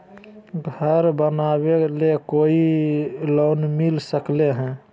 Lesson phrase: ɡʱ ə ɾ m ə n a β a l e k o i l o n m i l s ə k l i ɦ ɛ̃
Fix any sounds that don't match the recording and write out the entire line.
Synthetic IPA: ɡʱ ə ɾ b ə n a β e l e k o i l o n m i l s ə k l e ɦ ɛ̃